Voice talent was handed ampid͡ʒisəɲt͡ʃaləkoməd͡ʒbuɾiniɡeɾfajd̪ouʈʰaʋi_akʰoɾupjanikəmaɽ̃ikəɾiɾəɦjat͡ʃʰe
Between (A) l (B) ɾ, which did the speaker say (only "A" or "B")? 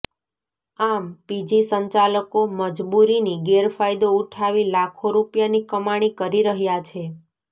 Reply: A